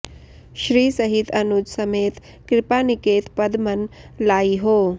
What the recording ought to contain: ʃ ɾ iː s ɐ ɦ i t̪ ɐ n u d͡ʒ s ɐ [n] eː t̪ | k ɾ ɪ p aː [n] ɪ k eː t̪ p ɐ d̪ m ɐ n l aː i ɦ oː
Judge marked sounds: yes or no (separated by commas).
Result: no, yes